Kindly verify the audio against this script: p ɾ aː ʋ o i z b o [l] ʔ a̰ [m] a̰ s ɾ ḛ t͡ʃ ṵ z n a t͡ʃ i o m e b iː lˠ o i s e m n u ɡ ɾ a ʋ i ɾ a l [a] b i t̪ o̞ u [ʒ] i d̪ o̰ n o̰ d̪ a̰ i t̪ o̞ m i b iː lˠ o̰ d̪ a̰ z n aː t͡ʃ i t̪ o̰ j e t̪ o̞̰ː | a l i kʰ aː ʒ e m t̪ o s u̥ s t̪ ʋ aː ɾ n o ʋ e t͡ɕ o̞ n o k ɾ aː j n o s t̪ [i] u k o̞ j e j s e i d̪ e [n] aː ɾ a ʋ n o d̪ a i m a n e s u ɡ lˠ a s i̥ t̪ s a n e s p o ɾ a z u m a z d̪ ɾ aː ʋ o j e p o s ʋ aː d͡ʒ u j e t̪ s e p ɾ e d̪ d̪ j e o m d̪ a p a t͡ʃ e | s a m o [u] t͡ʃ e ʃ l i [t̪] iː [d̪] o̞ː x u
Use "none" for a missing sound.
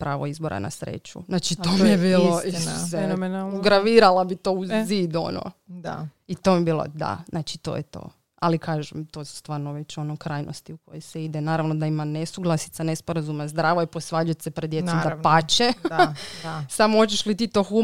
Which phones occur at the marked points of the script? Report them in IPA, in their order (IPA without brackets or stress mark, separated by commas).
ɾ, n, a, z, i, n, o, t̪, t̪